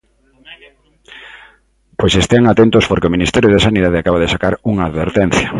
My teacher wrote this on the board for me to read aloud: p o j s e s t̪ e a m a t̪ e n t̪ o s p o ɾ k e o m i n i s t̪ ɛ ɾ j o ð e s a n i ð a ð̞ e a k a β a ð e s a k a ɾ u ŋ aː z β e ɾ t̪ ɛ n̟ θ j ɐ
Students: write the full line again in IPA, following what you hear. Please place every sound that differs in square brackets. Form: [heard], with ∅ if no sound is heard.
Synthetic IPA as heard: p o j s e s t̪ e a [ŋ] a t̪ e n t̪ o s p o ɾ k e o m i n i s t̪ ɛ ɾ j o ð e s a n i ð a ð̞ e a k a β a ð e s a k a ɾ u ŋ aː [ð] β e ɾ t̪ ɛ n̟ θ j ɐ